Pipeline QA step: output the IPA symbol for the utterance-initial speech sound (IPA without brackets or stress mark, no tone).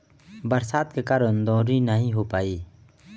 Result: b